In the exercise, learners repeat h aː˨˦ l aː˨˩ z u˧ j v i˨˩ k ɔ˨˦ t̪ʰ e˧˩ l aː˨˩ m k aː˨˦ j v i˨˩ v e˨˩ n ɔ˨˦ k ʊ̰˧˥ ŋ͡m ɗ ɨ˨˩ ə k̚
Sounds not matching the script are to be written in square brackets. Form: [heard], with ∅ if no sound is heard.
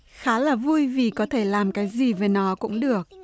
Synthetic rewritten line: [x] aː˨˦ l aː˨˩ [v] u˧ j v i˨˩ k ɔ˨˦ t̪ʰ e˧˩ l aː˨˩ m k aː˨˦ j [z] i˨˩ v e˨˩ n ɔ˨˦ k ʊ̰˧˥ ŋ͡m ɗ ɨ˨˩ ə k̚